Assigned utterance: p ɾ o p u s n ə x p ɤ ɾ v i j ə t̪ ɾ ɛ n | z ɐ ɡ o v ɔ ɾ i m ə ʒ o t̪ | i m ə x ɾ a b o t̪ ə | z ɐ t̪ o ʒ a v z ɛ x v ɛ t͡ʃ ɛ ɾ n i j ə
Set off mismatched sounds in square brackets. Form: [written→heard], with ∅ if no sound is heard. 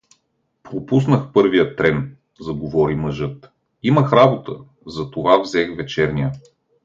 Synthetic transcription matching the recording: p ɾ o p u s n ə x p ɤ ɾ v i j ə t̪ ɾ ɛ n | z ɐ ɡ o v ɔ ɾ i m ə ʒ [o→ɤ] t̪ | i m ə x ɾ a b o t̪ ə | z ɐ t̪ o [ʒ→v] a v z ɛ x v ɛ t͡ʃ ɛ ɾ n i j ə